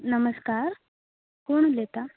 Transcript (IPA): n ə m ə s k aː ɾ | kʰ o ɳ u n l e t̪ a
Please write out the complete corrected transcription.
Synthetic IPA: n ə m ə s k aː ɾ | k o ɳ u l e t̪ a